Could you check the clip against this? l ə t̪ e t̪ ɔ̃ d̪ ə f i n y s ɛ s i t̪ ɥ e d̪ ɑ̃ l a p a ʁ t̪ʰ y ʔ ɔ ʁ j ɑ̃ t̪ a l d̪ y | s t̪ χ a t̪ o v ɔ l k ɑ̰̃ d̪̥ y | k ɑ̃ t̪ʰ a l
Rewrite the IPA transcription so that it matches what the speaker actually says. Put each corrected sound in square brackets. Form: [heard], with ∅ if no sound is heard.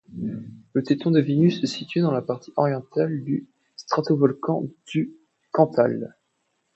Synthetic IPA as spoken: l ə t̪ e t̪ ɔ̃ d̪ ə [v] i n y s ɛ s i t̪ ɥ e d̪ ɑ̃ l a p a ʁ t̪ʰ [i] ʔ ɔ ʁ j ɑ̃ t̪ a l d̪ y | s t̪ χ a t̪ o v ɔ l k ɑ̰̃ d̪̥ y | k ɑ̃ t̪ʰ a l